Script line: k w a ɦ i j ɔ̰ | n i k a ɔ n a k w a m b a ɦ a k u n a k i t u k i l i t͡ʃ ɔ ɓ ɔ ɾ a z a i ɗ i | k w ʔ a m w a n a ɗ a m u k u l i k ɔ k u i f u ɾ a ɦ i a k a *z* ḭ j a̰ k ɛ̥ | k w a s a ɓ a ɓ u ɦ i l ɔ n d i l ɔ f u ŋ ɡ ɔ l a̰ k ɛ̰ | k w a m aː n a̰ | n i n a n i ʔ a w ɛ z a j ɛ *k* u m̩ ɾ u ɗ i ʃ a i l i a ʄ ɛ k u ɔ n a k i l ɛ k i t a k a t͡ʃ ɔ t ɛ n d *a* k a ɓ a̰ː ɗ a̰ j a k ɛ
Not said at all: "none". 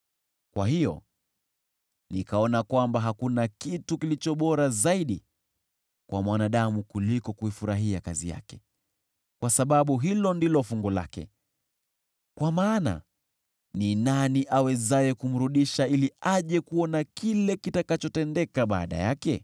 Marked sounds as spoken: z, k, ɛ

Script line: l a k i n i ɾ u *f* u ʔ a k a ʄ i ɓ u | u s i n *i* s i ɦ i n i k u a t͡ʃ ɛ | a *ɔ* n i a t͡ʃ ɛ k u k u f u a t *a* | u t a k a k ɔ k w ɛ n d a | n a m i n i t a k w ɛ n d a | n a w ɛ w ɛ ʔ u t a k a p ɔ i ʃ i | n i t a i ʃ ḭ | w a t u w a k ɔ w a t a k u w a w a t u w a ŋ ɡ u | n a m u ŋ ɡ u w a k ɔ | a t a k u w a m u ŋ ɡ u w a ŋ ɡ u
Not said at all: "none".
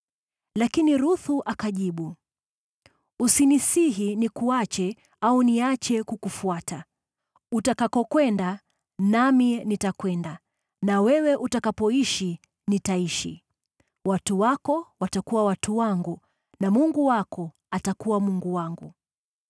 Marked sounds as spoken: θ, i, u, a

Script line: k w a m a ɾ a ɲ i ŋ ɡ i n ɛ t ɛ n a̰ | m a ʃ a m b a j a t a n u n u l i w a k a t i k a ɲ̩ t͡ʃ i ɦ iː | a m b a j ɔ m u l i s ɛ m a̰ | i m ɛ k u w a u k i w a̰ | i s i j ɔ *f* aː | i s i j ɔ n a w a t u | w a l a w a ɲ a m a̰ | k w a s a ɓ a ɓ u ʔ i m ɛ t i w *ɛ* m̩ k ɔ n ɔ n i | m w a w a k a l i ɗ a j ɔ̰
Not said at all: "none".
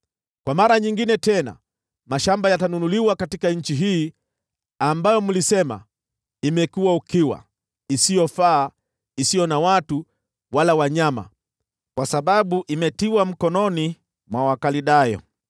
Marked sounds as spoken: f, a

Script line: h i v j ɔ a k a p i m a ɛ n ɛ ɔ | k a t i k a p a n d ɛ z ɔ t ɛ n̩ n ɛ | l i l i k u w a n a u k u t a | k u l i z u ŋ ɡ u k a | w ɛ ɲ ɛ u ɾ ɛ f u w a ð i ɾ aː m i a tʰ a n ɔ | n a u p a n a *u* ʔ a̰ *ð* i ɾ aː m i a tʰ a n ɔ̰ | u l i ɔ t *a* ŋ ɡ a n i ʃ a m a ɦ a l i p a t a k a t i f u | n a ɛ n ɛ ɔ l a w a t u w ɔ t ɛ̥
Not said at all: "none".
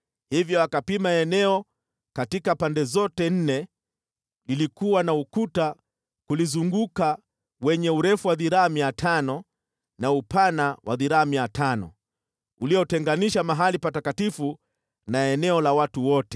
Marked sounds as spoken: w, ð, ɛ

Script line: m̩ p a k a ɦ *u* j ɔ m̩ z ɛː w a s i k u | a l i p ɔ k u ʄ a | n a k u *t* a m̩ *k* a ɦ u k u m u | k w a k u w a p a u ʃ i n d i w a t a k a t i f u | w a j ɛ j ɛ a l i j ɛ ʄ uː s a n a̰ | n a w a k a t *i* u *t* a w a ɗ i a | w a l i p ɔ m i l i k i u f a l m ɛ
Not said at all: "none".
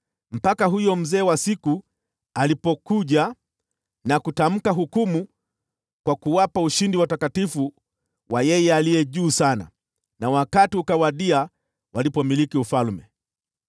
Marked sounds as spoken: u, t, k, i, k

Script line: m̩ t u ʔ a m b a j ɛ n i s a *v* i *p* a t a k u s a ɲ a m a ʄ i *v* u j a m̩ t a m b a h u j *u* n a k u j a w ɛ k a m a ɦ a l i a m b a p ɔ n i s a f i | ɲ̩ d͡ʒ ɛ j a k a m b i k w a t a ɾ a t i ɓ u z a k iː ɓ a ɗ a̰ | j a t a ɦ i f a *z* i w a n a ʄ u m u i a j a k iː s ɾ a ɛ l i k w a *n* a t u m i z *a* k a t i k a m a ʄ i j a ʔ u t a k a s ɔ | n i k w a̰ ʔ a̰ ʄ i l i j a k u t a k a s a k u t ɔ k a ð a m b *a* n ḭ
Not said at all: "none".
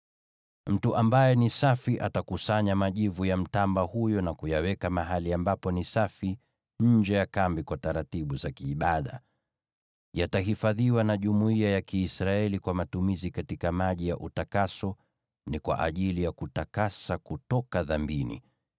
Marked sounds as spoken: f, ʔ, v, ɔ, ð, m, i, i

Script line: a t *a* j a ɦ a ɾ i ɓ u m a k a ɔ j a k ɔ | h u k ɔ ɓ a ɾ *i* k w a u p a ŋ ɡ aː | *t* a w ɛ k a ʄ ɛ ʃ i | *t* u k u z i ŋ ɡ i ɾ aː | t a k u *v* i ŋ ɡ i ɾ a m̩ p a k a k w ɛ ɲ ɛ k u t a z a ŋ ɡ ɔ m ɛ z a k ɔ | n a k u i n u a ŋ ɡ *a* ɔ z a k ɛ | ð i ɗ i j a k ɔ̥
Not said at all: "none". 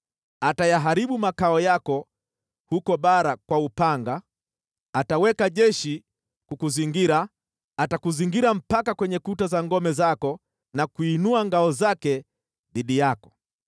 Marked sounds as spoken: a, a, t, k, z, a

